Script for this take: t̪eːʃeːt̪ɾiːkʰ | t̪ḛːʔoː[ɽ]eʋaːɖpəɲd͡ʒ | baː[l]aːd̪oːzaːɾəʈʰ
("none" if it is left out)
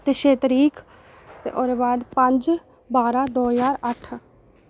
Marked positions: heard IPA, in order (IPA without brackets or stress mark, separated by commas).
ɾ, ɾ